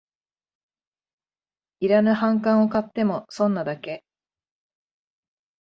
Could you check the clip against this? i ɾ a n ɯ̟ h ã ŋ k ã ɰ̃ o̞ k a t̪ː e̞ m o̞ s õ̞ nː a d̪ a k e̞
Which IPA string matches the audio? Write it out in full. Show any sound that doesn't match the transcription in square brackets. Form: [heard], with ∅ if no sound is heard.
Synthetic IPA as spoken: i ɾ a n ɯ̟ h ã ŋ k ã ɰ̃ o̞ k a t̪ː e̞ m o̞ s õ̞ nː a d̪ a k e̞